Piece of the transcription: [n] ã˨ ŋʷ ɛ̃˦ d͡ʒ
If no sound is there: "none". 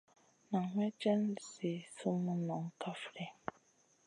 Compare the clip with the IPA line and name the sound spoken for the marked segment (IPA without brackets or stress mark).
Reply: n